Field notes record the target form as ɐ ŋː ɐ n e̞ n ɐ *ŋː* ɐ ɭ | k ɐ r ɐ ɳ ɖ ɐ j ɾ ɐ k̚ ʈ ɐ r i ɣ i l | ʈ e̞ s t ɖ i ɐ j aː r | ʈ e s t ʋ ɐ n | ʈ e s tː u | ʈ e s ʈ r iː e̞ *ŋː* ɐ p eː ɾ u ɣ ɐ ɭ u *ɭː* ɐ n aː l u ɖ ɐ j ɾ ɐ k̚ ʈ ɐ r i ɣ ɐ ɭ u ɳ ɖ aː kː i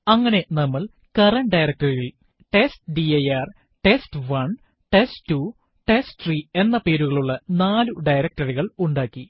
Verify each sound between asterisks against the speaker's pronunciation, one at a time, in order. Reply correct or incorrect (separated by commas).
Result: incorrect, incorrect, correct